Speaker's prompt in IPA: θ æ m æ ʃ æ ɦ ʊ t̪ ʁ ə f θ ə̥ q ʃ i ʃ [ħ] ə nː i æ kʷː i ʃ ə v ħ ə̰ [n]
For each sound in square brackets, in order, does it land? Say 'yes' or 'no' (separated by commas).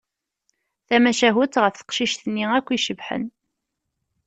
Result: no, yes